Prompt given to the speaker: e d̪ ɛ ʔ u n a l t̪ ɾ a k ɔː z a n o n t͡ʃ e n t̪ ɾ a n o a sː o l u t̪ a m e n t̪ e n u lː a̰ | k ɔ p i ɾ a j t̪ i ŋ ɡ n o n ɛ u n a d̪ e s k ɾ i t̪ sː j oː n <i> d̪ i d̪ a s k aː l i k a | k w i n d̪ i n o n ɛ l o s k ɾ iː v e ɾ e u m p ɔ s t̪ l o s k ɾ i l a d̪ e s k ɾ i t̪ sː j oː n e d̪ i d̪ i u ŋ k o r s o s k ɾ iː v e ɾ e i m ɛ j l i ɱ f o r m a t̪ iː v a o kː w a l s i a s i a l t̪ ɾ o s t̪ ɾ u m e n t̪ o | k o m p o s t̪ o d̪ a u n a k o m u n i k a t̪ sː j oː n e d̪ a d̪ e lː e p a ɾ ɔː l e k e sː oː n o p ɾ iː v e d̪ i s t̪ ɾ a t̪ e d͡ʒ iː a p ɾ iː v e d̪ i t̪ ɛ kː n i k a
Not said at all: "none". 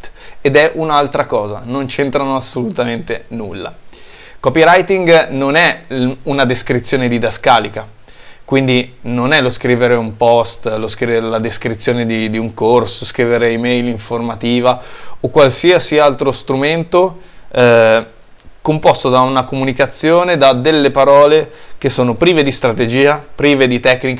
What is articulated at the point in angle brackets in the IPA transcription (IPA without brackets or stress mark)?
e